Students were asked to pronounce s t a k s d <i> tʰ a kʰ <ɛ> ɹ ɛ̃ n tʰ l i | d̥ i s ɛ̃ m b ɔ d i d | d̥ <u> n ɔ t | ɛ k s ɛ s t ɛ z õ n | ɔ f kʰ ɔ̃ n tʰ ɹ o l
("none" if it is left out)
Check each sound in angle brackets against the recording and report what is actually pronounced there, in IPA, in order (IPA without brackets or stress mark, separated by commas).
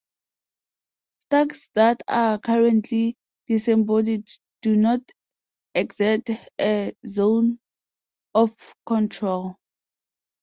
a, a, u